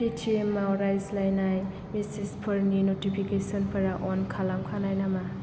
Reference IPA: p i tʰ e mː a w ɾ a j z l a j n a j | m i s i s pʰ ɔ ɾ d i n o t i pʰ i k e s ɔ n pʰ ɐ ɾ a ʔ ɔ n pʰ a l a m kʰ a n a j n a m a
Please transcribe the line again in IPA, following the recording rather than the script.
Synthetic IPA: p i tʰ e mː a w ɾ a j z l a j n a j | m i s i s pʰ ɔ ɾ n i n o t i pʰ i k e s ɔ n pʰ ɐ ɾ a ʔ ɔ n kʰ a l a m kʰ a n a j n a m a

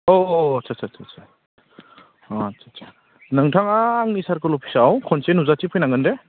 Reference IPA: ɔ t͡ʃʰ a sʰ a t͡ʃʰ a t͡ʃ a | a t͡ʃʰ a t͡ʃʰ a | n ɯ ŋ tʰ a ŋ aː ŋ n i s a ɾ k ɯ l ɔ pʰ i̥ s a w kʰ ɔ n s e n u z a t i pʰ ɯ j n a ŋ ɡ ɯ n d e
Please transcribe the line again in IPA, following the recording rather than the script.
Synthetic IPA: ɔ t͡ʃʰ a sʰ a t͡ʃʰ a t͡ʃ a | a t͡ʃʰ a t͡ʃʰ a | n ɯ ŋ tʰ a ŋ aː ŋ n i s a ɾ k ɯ l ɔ pʰ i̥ s a w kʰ ɔ n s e n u z a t i pʰ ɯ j n a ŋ ɡ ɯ n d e

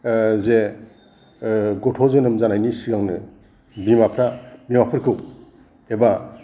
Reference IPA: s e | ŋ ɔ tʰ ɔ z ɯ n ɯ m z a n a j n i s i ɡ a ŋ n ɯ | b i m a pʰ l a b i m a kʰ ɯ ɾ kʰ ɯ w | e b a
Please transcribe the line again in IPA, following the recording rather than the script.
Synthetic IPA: z e | ɡ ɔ tʰ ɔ z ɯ n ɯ m z a n a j n i s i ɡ a ŋ n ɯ | b i m a pʰ ɾ a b i m a pʰ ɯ ɾ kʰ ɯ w | e b a

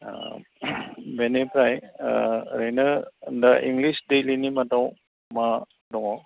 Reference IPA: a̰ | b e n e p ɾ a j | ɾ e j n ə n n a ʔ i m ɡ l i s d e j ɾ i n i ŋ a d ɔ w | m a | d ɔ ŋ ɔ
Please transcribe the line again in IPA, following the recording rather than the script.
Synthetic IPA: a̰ | b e n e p ɾ a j | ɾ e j n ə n d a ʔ i ŋ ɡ l i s d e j l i n i m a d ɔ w | m a | d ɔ ŋ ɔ

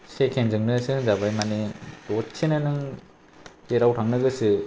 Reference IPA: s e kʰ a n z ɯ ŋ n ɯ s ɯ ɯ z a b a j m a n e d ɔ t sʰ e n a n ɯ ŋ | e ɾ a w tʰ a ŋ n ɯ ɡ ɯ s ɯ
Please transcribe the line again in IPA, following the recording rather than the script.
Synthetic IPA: s e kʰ e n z ɯ ŋ n ɯ s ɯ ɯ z a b a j m a n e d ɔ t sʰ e n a n ɯ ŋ | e ɾ a w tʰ a ŋ n ɯ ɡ ɯ s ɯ

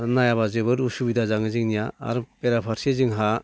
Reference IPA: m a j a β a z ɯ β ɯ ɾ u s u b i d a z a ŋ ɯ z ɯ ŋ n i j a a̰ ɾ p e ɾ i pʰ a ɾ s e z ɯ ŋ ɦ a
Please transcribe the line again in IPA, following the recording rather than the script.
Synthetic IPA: n a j a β a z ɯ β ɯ ɾ u s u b i d a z a ŋ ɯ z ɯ ŋ n i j a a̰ ɾ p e ɾ a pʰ a ɾ s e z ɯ ŋ ɦ a

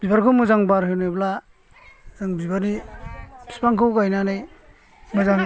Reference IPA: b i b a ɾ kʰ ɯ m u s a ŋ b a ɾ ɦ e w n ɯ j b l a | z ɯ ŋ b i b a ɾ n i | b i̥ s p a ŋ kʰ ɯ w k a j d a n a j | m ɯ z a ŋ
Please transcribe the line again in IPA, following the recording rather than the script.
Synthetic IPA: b i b a ɾ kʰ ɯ m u z a ŋ b a ɾ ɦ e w n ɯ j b l a | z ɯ ŋ b i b a ɾ n i | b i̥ s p a ŋ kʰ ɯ w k a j n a n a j | m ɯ z a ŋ

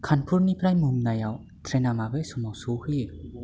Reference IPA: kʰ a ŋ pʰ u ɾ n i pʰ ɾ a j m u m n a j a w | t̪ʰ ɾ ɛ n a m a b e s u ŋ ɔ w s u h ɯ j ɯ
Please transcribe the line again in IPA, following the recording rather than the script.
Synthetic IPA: kʰ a n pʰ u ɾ n i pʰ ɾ a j m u m n a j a w | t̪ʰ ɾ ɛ n a m a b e s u m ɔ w s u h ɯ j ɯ

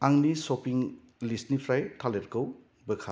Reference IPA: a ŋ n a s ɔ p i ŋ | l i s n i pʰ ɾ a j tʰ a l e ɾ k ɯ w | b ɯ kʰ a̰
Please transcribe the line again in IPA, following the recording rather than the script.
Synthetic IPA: a ŋ n i s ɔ p i ŋ | l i s n i pʰ ɾ a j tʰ a l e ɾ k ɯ w | b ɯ kʰ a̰

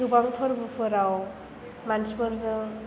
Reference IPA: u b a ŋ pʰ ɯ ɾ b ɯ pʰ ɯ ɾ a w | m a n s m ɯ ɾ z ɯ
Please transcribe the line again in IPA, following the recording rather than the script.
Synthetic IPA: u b a ŋ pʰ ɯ ɾ b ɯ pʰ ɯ ɾ a w | m a n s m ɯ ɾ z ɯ

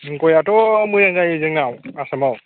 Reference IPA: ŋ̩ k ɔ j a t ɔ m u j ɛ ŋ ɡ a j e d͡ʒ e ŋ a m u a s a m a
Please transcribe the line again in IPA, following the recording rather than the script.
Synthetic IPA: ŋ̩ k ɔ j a t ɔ m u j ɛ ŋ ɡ a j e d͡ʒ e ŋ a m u a s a m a

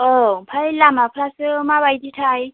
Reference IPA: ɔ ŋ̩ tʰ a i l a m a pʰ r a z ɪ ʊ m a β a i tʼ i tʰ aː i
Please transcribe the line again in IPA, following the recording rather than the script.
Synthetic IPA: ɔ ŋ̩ pʰ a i l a m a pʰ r a s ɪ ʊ m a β a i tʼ i tʰ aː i

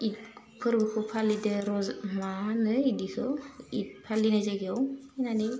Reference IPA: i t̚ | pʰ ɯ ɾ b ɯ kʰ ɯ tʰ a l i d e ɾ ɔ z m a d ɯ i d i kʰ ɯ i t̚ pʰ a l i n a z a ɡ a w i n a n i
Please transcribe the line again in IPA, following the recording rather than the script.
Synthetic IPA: i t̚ | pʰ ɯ ɾ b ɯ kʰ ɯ pʰ a l i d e ɾ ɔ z m a n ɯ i d i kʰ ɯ i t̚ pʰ a l i n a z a ɡ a w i n a n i

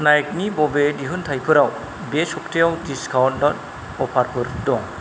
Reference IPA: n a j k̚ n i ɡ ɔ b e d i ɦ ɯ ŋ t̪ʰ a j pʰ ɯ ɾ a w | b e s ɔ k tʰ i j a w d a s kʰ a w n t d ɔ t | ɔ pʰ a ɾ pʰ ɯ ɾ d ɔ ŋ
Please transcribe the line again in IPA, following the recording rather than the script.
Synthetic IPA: n a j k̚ n i b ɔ b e d i ɦ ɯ n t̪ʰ a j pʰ ɯ ɾ a w | b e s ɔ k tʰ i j a w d i s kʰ a w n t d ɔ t | ɔ pʰ a ɾ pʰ ɯ ɾ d ɔ ŋ

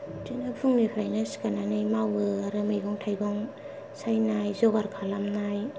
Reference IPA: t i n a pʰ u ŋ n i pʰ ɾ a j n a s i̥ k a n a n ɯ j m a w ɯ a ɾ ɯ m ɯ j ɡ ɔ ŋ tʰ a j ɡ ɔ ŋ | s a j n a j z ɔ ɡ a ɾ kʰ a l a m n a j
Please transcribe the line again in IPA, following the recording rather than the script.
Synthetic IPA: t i n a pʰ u ŋ n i pʰ ɾ a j n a s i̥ k a n a n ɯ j m a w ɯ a ɾ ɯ m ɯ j ɡ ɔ ŋ tʰ a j ɡ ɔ ŋ | s a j n a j z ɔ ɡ a ɾ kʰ a l a m n a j

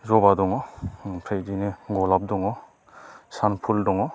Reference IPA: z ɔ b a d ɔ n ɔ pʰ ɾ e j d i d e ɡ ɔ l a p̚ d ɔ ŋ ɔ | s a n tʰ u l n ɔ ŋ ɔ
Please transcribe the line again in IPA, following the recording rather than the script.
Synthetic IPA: z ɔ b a d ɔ ŋ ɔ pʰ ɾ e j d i n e ɡ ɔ l a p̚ d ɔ ŋ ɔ | s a n pʰ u l d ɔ ŋ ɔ

